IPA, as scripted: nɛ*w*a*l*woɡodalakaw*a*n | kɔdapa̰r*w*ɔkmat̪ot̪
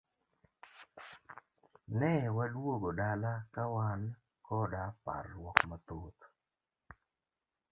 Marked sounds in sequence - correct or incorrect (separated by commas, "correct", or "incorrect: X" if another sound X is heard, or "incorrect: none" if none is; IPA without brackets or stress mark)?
correct, correct, correct, correct